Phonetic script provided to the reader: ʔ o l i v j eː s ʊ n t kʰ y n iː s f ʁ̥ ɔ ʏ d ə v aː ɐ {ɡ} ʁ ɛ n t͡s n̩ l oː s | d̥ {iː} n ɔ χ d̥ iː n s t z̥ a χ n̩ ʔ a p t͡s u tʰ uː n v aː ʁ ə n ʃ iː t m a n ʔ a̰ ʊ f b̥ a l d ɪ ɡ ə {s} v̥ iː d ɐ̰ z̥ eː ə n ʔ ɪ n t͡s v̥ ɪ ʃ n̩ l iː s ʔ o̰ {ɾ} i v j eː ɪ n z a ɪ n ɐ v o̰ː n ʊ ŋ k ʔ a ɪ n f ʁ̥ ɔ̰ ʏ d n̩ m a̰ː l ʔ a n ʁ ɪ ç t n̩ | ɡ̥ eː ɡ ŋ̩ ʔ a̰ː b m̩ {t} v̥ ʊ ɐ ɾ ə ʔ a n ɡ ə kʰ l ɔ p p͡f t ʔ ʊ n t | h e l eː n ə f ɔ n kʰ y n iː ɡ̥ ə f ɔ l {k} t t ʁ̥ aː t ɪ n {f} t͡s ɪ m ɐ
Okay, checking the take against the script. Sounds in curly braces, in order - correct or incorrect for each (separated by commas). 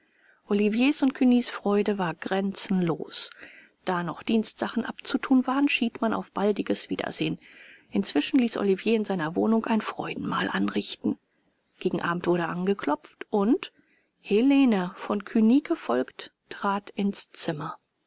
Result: correct, incorrect, correct, incorrect, correct, correct, incorrect